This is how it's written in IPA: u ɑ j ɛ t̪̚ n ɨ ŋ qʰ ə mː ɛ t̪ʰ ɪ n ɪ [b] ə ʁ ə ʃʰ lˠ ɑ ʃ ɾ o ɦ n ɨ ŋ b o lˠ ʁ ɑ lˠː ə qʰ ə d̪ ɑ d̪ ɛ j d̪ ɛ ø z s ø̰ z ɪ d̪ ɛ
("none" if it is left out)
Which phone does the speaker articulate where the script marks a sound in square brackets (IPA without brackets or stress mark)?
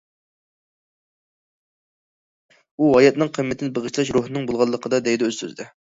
b